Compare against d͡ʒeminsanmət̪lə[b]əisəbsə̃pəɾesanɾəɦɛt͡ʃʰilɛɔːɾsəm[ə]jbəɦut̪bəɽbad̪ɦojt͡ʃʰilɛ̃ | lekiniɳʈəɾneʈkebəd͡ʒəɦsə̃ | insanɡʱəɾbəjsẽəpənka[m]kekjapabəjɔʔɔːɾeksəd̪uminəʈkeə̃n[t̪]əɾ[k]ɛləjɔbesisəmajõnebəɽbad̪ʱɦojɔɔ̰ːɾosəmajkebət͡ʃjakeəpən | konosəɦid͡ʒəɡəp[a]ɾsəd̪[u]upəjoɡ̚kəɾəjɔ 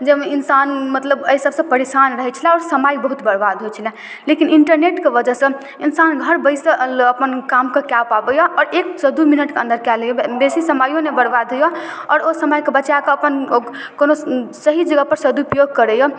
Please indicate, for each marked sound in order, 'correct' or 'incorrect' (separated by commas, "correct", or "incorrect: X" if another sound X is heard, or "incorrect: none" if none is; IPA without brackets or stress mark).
correct, incorrect: a, correct, incorrect: d̪, correct, incorrect: ə, correct